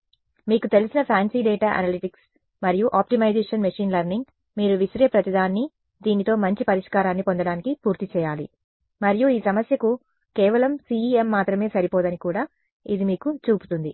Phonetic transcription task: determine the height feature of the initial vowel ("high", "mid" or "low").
high